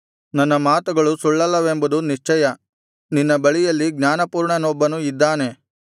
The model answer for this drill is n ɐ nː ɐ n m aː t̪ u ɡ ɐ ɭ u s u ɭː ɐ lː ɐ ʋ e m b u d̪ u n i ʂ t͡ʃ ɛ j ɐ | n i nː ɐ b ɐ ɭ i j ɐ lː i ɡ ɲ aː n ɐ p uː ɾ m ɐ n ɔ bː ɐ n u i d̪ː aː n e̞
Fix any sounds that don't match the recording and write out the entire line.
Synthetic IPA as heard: n ɐ nː ɐ m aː t̪ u ɡ ɐ ɭ u s u ɭː ɐ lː ɐ ʋ e m b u d̪ u n i ʂ t͡ʃ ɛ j ɐ | n i nː ɐ b ɐ ɭ i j ɐ lː i ɡ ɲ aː n ɐ p uː ɾ ɳ ɐ n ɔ bː ɐ n u i d̪ː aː n e̞